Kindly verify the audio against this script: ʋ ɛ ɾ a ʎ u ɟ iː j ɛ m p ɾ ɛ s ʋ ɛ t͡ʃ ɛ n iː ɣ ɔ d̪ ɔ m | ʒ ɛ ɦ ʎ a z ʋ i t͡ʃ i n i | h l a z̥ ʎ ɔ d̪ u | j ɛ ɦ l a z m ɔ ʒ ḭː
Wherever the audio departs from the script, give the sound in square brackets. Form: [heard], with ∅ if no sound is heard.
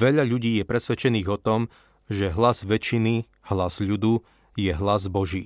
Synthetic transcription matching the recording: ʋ ɛ [ʎ] a ʎ u ɟ iː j ɛ [∅] p ɾ ɛ s ʋ ɛ t͡ʃ ɛ n iː ɣ ɔ [t̪] ɔ m | ʒ ɛ ɦ [l] a z ʋ [ɛ] t͡ʃ i n i | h l a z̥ ʎ [u] d̪ u | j ɛ ɦ l a z [b] ɔ ʒ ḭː